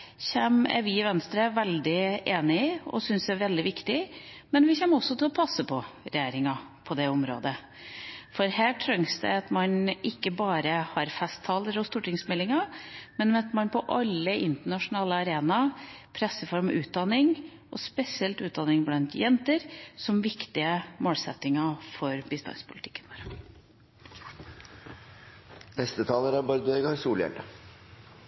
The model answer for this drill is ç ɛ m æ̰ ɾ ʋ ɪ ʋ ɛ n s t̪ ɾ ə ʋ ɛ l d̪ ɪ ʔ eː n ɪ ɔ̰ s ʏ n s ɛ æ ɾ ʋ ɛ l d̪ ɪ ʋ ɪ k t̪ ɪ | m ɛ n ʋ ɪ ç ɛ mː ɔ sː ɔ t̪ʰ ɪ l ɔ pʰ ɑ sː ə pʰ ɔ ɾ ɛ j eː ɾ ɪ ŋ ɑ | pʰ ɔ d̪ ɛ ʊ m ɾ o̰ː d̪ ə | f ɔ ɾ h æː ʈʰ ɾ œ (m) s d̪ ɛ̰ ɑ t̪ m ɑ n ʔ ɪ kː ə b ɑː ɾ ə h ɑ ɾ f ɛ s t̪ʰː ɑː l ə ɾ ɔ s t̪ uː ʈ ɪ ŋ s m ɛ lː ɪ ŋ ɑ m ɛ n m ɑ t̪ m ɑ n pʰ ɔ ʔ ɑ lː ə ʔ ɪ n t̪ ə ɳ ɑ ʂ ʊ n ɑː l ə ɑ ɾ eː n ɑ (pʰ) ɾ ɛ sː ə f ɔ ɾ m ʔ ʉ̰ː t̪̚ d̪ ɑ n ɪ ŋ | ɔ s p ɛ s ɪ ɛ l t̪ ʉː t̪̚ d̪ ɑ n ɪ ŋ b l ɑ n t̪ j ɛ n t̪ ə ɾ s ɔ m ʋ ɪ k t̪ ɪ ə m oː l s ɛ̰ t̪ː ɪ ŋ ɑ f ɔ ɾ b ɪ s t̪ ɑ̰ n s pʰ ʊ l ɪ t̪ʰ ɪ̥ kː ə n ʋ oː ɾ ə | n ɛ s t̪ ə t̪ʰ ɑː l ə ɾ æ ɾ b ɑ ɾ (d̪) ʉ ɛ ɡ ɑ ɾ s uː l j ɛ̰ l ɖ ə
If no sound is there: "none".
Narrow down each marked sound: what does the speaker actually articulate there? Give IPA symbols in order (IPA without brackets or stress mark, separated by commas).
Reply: ŋ, pʰ, d̪